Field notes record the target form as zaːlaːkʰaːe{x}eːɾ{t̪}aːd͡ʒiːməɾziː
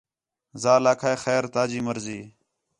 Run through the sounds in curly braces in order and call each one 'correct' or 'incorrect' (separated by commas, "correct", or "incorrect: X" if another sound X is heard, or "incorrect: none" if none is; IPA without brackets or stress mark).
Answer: correct, correct